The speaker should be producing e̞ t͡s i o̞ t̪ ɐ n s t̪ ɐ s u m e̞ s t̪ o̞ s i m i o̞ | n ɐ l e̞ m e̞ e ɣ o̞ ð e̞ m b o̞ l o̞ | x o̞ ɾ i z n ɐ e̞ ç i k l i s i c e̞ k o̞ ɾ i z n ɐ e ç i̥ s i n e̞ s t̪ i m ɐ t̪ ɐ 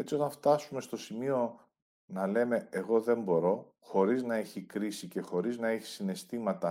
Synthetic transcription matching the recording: e̞ t͡s i o̞ t̪ ɐ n f t̪ ɐ s u m e̞ s t̪ o̞ s i m i o̞ | n ɐ l e̞ m e̞ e ɣ o̞ ð e̞ m b o̞ ɾ o̞ | x o̞ ɾ i z n ɐ e̞ ç i k ɾ i s i c e̞ x o̞ ɾ i z n ɐ e ç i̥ s i n e̞ s t̪ i m ɐ t̪ ɐ